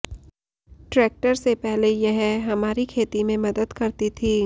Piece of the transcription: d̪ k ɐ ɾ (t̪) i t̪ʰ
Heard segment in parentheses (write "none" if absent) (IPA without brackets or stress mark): t̪